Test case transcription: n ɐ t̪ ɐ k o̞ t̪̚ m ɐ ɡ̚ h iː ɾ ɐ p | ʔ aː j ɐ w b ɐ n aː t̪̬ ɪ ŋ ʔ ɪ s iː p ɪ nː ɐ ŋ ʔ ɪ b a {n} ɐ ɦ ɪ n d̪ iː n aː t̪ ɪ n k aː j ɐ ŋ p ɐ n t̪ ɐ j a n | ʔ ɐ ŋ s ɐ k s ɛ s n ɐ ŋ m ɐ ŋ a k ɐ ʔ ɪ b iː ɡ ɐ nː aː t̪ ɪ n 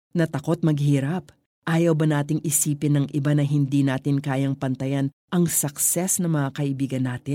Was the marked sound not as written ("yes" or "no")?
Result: no